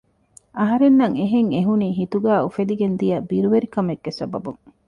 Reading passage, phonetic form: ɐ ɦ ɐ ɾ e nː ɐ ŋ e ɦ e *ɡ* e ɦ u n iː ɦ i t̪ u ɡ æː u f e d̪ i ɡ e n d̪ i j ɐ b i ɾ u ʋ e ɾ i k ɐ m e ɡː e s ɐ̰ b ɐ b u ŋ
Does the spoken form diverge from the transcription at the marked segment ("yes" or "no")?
yes